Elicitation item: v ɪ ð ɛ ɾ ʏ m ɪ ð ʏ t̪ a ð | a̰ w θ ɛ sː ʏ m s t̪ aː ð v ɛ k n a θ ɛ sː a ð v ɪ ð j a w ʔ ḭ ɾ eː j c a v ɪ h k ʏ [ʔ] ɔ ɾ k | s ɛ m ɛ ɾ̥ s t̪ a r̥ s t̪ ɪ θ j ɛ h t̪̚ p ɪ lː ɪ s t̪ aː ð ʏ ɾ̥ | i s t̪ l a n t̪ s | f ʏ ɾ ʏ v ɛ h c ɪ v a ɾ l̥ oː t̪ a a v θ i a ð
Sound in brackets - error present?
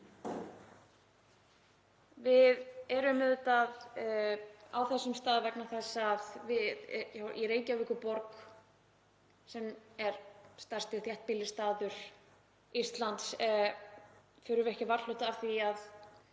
yes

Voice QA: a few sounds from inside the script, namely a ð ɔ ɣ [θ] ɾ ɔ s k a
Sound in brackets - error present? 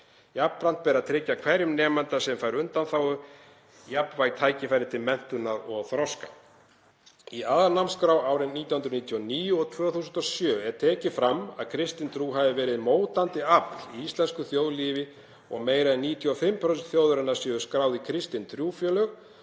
no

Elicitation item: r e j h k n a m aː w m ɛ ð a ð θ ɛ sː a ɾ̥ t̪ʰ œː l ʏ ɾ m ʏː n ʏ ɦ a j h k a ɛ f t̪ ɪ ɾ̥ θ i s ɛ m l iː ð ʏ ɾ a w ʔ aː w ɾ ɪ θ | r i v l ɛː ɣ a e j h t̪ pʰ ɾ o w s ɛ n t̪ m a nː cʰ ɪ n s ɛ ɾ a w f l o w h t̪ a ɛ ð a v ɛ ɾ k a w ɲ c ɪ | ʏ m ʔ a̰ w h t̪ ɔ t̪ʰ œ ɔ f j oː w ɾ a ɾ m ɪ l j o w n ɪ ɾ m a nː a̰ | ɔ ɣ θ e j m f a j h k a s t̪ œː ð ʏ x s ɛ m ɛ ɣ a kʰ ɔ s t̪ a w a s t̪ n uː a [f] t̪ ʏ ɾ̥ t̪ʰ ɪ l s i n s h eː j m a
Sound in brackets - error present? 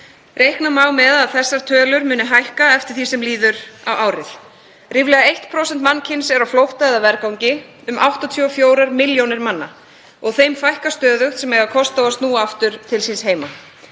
no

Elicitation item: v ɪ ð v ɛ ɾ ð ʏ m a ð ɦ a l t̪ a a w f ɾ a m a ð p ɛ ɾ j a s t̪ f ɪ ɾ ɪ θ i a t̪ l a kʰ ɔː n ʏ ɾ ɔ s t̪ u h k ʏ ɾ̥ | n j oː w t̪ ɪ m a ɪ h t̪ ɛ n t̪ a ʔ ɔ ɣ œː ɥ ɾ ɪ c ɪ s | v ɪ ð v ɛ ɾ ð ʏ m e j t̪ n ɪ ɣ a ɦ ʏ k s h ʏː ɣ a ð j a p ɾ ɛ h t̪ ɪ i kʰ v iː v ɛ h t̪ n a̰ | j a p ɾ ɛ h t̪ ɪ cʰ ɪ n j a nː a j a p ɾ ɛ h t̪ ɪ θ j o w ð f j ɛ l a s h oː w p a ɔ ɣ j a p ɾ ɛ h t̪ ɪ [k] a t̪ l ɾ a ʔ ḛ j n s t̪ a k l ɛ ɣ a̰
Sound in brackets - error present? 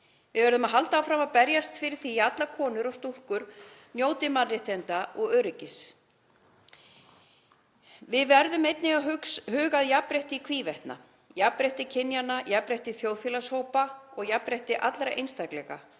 yes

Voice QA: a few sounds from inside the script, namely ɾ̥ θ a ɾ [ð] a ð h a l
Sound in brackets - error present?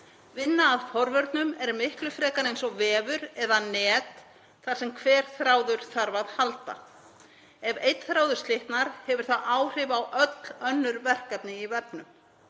yes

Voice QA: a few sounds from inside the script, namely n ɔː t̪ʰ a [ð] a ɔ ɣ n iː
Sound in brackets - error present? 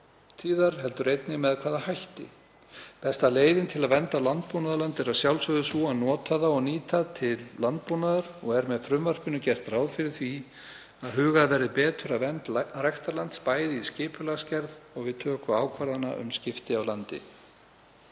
no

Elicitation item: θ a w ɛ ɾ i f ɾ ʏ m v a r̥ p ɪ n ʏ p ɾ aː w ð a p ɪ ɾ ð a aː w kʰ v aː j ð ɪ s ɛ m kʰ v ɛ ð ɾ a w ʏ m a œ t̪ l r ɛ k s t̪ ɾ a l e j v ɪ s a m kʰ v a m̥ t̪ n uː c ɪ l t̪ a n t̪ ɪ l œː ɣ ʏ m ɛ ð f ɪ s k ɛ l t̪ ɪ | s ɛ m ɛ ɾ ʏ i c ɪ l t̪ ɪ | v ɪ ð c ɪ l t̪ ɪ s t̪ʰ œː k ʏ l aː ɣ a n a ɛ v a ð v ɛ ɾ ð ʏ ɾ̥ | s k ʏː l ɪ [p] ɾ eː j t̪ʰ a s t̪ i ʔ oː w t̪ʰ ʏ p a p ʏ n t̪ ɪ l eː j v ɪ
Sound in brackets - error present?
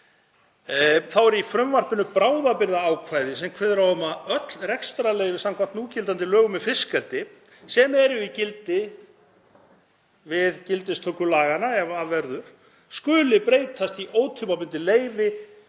no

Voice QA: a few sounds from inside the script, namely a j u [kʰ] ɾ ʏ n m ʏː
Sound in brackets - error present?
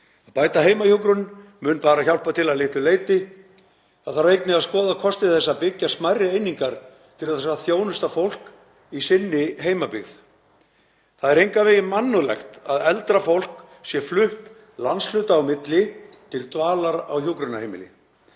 yes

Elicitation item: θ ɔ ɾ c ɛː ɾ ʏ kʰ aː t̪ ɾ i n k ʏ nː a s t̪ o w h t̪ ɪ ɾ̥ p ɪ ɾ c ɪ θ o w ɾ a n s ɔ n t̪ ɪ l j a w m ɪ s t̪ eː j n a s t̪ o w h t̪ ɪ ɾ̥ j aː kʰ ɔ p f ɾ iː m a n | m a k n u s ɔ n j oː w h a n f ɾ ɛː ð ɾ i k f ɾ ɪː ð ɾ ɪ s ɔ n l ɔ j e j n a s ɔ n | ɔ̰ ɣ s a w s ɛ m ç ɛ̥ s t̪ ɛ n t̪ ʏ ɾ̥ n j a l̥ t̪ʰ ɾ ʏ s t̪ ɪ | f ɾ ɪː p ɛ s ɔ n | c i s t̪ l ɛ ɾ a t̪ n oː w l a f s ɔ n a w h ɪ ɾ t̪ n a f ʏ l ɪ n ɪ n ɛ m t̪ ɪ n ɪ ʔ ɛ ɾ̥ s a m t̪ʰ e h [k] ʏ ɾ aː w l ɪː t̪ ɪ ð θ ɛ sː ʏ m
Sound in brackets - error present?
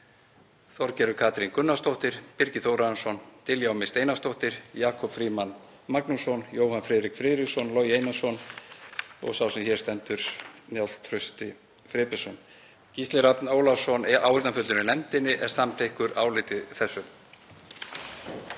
no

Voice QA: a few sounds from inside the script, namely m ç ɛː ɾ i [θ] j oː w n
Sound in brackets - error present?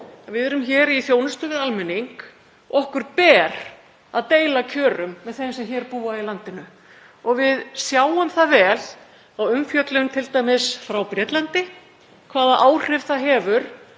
no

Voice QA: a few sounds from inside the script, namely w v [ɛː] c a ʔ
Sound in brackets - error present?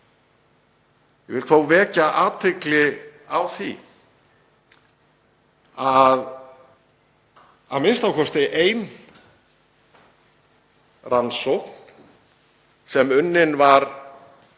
no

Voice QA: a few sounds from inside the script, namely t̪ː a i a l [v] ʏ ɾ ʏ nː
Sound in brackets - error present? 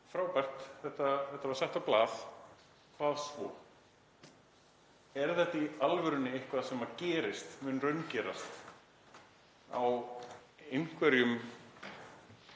no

